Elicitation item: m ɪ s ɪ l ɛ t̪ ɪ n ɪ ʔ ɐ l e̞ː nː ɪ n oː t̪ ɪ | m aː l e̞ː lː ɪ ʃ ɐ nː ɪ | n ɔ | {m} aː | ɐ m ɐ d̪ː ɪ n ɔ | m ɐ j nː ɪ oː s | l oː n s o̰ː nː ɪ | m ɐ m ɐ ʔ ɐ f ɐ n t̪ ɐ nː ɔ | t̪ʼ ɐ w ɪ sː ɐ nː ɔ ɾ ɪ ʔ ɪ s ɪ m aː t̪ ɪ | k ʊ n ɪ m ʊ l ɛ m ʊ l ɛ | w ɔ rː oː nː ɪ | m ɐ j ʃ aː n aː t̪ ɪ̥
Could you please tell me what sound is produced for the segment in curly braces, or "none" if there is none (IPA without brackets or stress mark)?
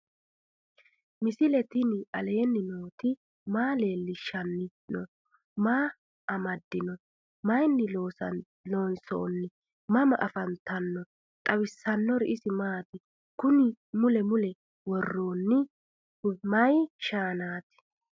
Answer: m